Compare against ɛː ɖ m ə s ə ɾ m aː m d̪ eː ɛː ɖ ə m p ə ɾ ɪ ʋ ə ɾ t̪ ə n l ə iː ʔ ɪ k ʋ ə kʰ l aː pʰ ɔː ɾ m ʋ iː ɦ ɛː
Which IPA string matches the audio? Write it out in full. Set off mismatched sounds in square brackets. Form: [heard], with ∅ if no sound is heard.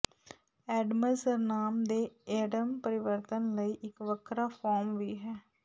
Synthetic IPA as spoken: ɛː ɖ m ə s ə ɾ [n] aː m d̪ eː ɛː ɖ ə m p ə ɾ ɪ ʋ ə ɾ t̪ ə n l ə iː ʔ ɪ k ʋ ə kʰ [ɾ] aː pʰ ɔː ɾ m ʋ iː ɦ ɛː